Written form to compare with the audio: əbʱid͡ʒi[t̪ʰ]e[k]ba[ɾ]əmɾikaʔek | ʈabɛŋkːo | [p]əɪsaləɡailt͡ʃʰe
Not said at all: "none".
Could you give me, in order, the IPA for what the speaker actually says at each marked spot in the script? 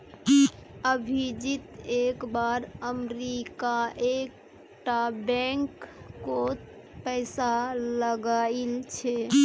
t̪, k, ɾ, p

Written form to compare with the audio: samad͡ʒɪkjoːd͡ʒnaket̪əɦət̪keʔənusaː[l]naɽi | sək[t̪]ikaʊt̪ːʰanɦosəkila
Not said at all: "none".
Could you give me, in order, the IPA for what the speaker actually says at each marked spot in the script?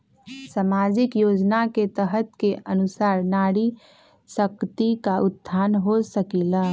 ɾ, t̪

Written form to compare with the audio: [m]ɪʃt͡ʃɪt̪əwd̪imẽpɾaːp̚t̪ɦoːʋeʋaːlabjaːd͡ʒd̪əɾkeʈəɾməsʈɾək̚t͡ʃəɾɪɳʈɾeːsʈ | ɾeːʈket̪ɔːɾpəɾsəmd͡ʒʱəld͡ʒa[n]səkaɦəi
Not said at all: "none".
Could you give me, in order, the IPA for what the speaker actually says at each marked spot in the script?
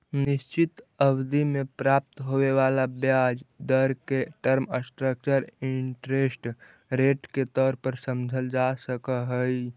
n, none

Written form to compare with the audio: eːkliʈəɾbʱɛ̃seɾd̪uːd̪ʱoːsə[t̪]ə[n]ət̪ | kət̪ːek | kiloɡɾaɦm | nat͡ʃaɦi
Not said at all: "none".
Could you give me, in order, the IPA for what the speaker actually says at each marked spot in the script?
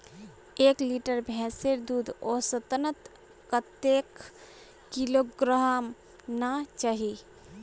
t̪, n

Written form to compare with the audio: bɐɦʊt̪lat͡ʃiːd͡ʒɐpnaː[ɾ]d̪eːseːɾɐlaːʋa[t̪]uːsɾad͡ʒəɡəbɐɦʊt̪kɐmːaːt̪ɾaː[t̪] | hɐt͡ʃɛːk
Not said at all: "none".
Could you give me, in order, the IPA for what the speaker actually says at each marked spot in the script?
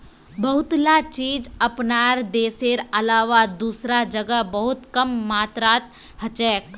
ɾ, d̪, t̪

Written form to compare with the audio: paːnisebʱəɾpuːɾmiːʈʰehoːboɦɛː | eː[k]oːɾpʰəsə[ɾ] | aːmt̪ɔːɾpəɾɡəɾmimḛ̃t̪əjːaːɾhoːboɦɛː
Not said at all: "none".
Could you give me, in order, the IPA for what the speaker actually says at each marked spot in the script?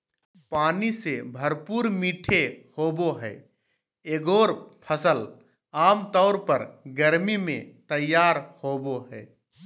ɡ, l

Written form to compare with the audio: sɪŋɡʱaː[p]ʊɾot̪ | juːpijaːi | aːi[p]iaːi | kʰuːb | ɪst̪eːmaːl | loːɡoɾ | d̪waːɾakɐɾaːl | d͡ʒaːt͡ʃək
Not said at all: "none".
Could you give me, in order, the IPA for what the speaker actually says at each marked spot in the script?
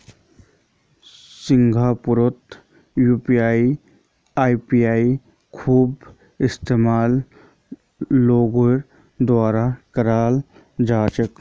p, p

